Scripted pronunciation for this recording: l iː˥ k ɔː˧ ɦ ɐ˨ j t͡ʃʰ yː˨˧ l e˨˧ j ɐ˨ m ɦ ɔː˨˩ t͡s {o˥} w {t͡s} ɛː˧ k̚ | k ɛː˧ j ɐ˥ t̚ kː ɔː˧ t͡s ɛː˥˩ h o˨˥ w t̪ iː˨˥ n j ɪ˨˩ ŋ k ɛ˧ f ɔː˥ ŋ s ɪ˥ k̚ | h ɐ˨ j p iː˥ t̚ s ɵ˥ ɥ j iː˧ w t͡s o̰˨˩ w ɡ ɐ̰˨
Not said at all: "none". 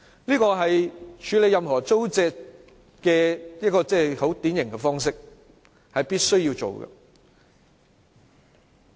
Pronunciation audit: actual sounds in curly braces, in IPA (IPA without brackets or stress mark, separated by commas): o˥, t͡s